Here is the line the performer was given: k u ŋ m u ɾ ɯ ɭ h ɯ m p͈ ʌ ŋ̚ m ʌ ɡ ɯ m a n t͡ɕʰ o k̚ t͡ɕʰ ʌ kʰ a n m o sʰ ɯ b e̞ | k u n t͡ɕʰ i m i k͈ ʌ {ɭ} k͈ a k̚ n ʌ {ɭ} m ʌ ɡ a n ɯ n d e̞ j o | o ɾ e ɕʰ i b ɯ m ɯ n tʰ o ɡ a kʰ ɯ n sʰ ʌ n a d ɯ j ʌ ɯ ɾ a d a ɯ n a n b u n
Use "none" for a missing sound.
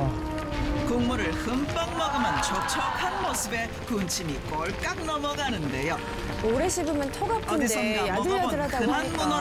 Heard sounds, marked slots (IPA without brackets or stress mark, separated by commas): ɭ, none